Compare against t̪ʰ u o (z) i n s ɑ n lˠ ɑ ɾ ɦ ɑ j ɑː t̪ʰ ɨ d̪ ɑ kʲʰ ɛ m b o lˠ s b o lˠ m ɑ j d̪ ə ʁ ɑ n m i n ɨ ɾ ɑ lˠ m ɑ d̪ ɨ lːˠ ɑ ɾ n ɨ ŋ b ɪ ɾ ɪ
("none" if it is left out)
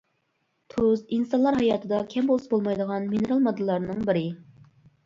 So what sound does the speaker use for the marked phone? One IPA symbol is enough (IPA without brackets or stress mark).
z